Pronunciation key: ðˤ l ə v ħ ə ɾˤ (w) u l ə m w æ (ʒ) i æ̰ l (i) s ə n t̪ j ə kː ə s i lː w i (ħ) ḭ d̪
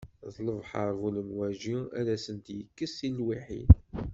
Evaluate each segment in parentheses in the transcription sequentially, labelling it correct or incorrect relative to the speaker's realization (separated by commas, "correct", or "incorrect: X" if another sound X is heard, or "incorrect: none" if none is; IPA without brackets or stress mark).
incorrect: v, correct, incorrect: æ, correct